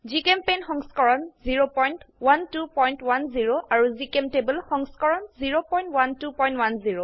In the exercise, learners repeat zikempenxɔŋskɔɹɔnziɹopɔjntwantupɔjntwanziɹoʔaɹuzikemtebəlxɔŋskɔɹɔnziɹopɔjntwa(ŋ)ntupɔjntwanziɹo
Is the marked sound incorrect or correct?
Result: incorrect